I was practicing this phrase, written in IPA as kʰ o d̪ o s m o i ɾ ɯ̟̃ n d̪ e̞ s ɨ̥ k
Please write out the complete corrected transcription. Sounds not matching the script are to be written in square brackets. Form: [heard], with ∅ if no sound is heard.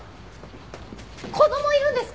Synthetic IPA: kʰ o d̪ o [∅] m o i ɾ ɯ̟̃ n d̪ e̞ s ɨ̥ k